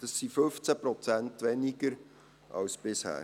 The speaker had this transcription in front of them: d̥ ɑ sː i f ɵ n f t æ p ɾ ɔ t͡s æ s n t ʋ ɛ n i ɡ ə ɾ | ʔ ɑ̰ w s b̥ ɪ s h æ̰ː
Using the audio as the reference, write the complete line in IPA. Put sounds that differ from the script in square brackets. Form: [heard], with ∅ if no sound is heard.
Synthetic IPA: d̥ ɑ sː i f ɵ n f [t͡s] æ p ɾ ɔ t͡s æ [∅] n t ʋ ɛ n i ɡ ə ɾ | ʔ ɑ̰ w s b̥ ɪ s h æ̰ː